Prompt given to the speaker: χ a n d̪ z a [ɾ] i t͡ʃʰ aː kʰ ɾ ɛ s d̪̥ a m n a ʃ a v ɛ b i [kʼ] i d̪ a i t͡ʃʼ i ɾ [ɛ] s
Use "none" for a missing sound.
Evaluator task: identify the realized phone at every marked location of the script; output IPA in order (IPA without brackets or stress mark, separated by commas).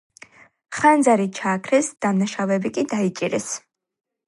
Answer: ɾ, kʼ, ɛ